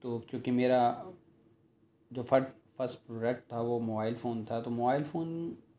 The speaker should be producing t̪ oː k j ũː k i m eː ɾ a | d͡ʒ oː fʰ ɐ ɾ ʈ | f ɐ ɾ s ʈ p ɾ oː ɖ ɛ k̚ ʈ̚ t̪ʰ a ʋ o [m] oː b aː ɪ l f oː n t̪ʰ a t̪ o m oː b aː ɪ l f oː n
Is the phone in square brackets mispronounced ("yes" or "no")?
no